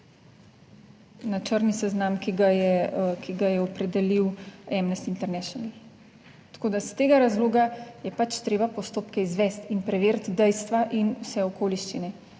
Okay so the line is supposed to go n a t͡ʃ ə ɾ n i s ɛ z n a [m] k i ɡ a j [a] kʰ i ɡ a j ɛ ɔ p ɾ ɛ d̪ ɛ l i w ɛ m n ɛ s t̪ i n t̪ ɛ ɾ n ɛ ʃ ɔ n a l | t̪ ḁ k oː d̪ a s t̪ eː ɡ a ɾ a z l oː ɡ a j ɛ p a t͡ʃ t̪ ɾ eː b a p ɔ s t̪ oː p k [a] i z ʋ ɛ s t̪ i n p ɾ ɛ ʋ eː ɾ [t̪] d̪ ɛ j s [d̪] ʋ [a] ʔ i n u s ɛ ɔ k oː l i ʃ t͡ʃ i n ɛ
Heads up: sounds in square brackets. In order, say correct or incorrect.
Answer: correct, incorrect: ɛ, incorrect: ɛ, correct, incorrect: t̪, correct

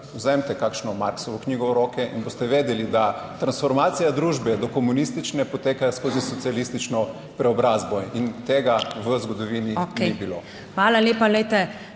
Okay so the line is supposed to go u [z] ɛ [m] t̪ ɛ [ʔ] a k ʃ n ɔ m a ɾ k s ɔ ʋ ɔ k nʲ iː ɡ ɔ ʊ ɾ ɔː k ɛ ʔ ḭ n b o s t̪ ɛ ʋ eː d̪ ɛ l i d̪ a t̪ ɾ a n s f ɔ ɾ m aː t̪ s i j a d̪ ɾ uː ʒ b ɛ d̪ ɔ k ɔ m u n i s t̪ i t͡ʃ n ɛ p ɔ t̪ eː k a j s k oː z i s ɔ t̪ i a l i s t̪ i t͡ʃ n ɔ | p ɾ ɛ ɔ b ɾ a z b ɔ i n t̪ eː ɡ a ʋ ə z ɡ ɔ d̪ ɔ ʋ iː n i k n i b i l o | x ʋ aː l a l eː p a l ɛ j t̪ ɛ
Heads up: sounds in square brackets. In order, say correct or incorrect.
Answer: correct, correct, incorrect: k

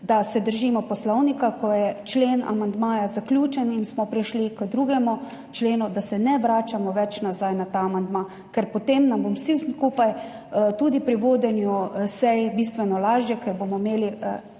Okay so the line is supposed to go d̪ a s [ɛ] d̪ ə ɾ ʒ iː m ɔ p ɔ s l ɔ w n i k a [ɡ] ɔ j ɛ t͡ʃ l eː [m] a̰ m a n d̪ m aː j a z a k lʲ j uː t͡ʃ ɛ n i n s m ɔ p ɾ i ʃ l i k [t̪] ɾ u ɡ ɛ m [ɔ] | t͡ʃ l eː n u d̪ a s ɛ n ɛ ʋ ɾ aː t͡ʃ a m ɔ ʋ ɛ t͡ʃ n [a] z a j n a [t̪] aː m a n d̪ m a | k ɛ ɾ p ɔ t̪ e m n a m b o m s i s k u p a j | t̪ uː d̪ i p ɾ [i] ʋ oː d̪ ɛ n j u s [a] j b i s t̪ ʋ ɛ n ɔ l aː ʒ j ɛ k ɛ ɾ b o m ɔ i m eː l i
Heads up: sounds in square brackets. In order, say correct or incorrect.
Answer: correct, incorrect: k, incorrect: n, incorrect: d̪, incorrect: u, correct, correct, correct, incorrect: ɛ

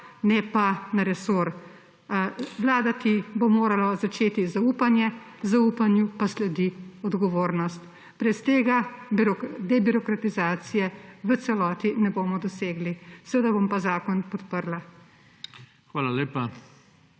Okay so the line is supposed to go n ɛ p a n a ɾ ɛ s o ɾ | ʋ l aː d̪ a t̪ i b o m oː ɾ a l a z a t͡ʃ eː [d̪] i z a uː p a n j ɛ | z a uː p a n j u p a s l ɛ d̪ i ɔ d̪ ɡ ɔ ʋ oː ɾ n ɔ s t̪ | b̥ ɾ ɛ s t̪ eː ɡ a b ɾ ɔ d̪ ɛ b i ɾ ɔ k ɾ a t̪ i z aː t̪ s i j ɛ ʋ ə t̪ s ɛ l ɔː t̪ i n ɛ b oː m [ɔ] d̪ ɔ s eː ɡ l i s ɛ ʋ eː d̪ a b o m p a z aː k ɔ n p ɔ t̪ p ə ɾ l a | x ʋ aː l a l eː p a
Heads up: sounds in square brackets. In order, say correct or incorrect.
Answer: incorrect: t̪, correct

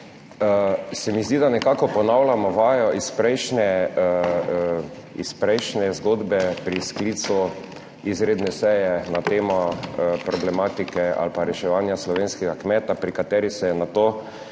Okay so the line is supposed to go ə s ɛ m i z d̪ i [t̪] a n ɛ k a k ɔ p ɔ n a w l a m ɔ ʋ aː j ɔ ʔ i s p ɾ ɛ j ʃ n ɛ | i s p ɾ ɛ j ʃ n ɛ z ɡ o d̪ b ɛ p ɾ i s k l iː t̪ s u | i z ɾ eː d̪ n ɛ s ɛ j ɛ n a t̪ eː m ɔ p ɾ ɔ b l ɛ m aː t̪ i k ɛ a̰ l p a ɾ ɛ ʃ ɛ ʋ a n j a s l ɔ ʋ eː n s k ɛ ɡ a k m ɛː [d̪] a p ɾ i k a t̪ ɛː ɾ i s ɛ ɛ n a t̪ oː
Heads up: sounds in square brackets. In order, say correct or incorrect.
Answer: incorrect: d̪, incorrect: t̪

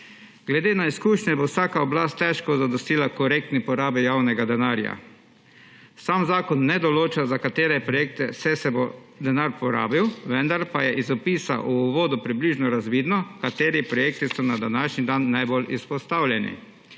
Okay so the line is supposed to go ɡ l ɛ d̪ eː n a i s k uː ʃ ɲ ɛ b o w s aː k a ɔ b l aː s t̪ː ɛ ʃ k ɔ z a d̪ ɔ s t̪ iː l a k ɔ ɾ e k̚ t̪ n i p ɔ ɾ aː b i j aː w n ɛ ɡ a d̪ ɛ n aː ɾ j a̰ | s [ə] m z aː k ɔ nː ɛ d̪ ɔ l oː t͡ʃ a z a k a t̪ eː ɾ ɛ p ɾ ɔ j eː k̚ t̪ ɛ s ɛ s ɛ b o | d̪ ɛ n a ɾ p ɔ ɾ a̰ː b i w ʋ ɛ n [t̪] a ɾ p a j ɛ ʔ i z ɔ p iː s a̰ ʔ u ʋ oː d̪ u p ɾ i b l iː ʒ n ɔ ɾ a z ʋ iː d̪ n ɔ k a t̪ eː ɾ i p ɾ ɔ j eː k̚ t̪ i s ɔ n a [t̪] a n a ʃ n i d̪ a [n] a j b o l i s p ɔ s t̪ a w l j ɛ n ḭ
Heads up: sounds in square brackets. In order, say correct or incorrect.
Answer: incorrect: a, incorrect: d̪, incorrect: d̪, incorrect: nː

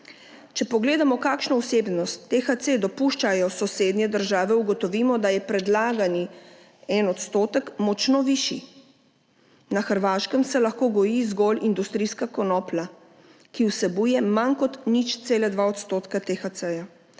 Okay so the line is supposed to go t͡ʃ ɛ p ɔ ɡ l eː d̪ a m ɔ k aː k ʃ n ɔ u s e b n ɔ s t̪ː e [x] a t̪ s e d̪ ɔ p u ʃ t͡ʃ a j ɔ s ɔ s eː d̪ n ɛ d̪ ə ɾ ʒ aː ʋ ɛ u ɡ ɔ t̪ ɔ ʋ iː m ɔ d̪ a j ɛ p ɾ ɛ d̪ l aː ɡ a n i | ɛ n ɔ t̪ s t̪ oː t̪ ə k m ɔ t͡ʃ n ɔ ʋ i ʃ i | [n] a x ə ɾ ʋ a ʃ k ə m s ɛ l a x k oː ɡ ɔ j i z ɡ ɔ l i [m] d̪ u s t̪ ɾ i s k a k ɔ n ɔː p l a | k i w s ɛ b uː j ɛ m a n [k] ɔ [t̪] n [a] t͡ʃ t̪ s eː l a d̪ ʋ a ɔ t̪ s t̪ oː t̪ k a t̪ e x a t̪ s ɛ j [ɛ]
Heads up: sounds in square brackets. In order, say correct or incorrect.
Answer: correct, correct, incorrect: n, correct, correct, incorrect: i, incorrect: a

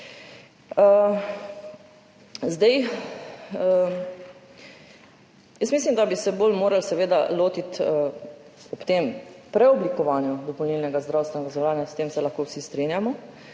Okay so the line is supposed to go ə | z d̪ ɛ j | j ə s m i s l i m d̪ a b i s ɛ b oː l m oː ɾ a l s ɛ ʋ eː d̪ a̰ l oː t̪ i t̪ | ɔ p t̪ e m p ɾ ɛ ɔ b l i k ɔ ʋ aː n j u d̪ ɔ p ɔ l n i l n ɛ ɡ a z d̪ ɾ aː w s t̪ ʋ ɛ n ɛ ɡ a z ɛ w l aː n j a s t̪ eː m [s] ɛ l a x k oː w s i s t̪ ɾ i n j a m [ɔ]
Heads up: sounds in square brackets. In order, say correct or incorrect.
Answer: correct, correct

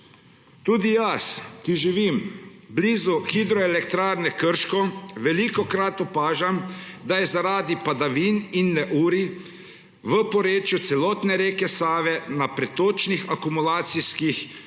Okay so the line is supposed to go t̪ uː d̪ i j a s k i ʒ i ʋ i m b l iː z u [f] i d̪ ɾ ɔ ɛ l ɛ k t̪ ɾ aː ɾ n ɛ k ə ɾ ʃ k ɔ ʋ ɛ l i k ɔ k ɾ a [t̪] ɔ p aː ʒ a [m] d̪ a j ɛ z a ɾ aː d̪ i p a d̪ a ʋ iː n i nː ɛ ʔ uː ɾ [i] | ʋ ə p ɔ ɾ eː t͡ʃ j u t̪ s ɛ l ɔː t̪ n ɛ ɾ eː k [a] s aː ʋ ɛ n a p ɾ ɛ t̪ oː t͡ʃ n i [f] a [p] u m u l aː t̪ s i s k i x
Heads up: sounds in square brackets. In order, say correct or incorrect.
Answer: incorrect: x, correct, correct, correct, incorrect: ɛ, incorrect: x, incorrect: k

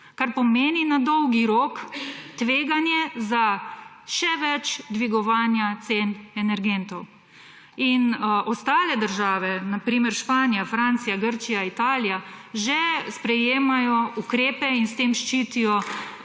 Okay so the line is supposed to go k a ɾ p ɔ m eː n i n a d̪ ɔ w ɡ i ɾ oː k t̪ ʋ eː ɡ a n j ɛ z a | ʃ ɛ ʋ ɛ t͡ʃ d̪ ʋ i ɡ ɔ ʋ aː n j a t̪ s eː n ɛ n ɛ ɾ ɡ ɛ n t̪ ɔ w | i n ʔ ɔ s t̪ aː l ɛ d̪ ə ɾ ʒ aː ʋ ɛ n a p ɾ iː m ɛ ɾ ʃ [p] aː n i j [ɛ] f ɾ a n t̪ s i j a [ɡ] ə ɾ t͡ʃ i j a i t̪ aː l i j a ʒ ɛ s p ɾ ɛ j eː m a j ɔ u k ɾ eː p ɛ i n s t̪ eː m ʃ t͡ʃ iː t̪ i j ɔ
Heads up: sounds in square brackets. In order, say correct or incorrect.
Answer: correct, incorrect: a, correct

